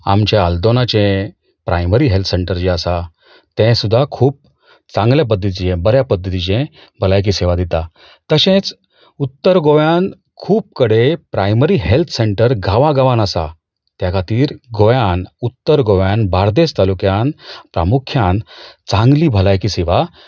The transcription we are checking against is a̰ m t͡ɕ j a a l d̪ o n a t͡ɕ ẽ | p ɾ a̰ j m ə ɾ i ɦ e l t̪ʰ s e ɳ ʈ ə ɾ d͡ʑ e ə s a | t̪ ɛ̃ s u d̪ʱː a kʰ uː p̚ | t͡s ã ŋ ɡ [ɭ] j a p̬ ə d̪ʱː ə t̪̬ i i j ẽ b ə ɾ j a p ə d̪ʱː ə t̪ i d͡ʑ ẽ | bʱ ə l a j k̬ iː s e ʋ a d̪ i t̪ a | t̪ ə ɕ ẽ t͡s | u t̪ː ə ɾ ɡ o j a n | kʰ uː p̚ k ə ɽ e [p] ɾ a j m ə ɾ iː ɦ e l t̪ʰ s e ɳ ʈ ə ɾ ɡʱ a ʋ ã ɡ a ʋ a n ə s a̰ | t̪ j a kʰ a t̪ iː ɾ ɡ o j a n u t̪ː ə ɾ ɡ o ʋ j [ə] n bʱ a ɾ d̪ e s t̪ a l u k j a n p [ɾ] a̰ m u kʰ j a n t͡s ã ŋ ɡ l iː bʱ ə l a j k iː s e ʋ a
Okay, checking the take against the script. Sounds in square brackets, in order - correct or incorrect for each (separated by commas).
incorrect, correct, incorrect, correct